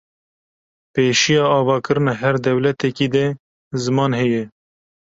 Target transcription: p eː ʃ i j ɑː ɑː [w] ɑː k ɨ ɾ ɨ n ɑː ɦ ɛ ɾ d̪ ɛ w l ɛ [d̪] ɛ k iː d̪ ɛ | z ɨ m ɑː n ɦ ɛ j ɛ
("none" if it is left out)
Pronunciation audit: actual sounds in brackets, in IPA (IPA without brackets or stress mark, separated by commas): v, t̪